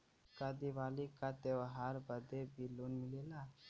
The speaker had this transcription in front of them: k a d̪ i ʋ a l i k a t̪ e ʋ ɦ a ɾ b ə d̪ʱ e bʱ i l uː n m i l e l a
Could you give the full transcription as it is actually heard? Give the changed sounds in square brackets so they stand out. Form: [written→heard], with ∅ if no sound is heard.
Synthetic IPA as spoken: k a d̪ i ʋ a l i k a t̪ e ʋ ɦ a ɾ b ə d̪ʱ e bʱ i l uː n m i l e l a